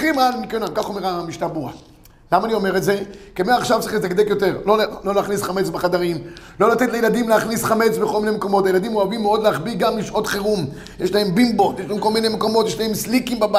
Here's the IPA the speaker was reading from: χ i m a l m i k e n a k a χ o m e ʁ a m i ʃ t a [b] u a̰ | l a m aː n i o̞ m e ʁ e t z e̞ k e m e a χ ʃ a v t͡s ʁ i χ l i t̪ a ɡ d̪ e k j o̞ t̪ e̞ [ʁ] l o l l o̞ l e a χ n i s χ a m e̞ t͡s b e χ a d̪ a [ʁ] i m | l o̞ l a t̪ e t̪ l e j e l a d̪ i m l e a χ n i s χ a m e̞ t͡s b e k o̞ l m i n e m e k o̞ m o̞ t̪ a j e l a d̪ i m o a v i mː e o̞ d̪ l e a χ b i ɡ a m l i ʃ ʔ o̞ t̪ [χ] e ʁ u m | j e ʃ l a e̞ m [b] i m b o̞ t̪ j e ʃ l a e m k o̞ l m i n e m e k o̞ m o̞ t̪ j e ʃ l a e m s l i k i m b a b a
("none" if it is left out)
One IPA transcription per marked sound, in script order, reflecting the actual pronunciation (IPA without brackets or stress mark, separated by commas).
b, ʁ, ʁ, χ, b